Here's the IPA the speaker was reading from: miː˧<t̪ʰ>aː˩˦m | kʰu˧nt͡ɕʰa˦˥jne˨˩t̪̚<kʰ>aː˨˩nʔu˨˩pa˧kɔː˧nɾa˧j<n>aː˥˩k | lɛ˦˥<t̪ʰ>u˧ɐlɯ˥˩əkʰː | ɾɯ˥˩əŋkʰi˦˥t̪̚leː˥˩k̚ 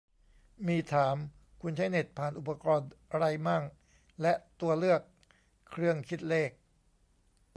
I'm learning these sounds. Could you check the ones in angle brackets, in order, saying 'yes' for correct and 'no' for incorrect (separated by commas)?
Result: yes, no, no, no